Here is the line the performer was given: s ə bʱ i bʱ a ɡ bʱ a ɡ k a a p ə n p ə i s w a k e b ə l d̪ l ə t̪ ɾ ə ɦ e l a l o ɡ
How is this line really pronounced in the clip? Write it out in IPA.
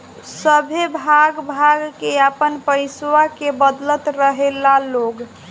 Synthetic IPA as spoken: s ə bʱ e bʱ a ɡ bʱ a ɡ k e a p ə n p ə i s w a k e b ə d̪ l ə t̪ ɾ ə ɦ e l a l o ɡ